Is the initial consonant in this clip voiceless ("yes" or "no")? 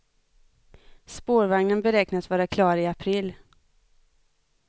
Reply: yes